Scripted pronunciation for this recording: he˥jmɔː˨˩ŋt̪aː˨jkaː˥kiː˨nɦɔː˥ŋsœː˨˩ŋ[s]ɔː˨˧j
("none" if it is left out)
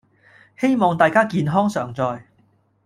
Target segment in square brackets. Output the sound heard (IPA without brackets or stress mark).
t͡s